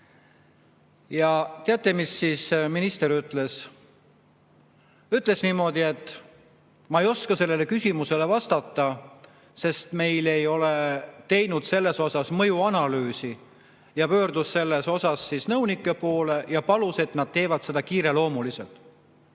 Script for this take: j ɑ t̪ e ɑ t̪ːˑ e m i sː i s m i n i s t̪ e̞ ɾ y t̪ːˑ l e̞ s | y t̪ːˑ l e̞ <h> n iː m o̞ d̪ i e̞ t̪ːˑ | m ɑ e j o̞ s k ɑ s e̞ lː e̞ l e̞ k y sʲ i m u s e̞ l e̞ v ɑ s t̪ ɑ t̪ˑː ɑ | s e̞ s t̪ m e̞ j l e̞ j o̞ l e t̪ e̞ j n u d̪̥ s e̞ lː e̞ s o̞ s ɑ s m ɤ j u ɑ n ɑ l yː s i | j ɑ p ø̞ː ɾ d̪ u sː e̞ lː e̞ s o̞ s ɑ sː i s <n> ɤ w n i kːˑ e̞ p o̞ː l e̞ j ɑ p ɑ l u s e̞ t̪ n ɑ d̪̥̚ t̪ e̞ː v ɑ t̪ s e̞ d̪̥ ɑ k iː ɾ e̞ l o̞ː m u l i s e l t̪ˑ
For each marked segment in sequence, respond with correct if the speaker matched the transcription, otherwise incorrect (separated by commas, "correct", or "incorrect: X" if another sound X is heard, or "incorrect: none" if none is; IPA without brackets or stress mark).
incorrect: s, correct